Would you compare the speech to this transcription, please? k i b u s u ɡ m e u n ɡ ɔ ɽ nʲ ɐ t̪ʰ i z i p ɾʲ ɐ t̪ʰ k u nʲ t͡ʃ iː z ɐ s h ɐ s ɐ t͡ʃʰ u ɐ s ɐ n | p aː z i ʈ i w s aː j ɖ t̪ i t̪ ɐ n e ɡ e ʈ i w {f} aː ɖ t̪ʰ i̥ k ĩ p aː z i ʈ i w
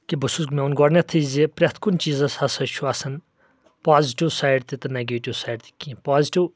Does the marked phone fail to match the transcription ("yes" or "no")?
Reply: yes